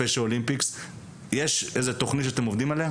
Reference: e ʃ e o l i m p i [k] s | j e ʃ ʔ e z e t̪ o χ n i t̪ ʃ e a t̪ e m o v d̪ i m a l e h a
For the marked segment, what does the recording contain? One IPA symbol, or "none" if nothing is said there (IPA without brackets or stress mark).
k